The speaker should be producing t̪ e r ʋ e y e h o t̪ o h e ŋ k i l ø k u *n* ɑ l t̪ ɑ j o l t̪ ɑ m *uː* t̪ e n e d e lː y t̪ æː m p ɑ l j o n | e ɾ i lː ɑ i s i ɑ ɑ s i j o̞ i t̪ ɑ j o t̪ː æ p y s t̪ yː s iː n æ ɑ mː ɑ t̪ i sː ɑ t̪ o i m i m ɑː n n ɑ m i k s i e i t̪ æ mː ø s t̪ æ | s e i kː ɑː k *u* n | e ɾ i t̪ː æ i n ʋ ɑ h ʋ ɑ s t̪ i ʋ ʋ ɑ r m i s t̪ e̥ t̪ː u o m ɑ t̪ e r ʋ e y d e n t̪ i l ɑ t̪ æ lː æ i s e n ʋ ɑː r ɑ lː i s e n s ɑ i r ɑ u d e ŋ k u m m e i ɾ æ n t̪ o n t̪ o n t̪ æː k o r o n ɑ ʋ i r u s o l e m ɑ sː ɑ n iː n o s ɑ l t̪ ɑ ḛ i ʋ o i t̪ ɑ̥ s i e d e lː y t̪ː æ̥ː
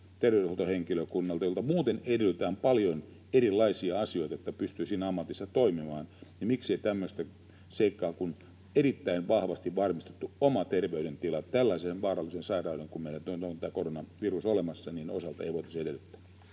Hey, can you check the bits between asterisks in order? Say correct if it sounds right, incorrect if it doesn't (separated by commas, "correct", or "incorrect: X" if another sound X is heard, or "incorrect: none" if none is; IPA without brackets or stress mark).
incorrect: nː, correct, correct